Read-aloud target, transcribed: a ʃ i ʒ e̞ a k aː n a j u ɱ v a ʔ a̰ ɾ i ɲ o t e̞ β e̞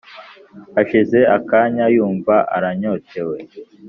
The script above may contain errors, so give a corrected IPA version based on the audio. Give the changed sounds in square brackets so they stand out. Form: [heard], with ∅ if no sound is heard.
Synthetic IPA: a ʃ i [z] e̞ a k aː [ɲ] a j [uː] ɱ v a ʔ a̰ ɾ [a] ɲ o t e̞ [w] e̞